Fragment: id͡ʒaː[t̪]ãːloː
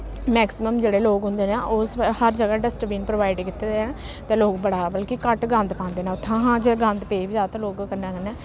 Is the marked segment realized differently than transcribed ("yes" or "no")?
no